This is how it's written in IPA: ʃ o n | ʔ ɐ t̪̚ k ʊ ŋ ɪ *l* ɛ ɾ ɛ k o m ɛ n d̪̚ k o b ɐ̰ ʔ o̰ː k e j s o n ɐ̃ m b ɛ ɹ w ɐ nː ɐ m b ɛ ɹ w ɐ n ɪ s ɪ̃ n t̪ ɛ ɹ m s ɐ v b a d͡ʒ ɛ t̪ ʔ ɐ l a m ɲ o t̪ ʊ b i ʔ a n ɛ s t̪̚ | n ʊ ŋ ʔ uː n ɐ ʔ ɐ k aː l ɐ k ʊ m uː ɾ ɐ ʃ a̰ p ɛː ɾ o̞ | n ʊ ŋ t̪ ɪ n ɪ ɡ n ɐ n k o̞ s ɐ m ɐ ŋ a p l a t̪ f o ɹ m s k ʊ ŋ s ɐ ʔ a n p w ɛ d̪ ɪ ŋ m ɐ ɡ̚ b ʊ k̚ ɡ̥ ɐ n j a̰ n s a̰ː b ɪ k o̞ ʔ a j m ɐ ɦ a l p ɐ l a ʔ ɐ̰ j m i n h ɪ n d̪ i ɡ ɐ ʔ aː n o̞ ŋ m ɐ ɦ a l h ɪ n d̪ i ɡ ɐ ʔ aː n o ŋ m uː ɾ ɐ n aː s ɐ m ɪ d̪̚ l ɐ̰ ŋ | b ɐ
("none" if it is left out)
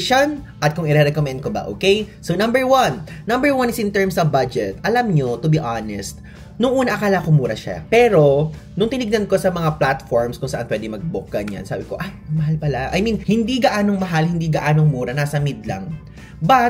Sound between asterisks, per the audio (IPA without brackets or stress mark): ɾ